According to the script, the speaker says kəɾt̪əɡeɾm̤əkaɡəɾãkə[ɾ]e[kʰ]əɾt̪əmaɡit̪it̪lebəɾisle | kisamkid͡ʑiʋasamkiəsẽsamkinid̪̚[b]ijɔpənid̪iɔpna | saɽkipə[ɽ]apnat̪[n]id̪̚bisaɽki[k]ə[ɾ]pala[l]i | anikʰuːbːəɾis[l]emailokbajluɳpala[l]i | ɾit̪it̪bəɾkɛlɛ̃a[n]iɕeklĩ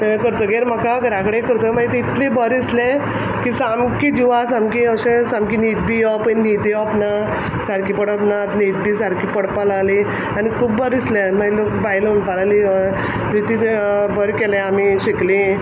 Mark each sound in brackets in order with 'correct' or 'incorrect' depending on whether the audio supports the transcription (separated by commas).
incorrect, incorrect, correct, correct, correct, incorrect, incorrect, correct, correct, correct, incorrect